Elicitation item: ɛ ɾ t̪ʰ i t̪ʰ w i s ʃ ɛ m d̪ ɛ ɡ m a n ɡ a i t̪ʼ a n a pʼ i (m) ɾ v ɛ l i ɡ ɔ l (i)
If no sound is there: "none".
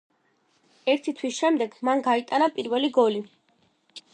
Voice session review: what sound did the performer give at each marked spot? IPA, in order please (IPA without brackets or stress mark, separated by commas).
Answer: none, i